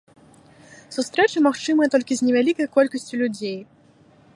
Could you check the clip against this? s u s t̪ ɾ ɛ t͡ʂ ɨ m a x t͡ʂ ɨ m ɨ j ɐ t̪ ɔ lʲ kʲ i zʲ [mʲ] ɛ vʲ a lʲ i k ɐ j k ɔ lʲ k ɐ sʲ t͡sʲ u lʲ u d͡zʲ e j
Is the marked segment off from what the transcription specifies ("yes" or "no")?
yes